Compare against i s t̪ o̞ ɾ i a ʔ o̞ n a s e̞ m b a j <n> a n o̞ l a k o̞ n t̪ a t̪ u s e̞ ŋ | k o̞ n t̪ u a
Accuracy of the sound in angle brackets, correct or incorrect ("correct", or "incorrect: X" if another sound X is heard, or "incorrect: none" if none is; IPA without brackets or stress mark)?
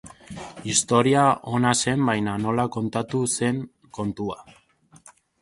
correct